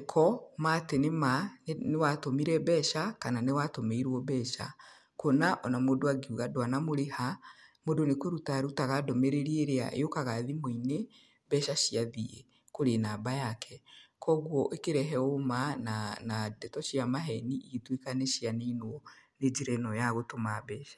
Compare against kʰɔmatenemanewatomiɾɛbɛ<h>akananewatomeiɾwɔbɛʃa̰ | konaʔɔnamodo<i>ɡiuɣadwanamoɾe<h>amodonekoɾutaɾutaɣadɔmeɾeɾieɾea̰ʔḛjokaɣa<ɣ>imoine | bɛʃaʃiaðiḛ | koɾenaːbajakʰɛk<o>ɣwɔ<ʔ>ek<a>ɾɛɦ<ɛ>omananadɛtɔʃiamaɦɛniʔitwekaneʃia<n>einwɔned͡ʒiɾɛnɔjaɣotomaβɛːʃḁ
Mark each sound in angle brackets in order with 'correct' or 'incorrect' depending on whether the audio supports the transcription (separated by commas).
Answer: incorrect, incorrect, correct, incorrect, incorrect, correct, incorrect, correct, correct